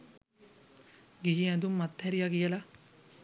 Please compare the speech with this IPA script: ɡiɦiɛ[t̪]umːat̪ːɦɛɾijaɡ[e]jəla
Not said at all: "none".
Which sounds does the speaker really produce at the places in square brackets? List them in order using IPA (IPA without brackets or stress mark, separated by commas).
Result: d̪, i